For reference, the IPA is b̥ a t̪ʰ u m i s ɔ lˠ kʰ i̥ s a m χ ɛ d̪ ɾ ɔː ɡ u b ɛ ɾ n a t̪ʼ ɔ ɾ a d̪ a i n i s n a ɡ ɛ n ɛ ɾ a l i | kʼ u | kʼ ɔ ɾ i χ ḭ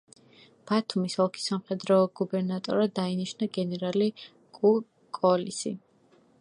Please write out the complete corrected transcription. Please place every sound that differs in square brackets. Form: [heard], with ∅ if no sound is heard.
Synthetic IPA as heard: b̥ a t̪ʰ u m i s ɔ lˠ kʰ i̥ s a m χ ɛ d̪ ɾ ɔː ɡ u b ɛ ɾ n a t̪ʼ ɔ ɾ a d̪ a i n i [ʃ] n a ɡ ɛ n ɛ ɾ a l i | kʼ u | kʼ ɔ [l] i [s] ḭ